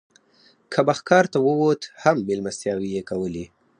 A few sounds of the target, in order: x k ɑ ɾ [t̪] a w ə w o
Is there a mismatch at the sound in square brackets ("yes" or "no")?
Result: no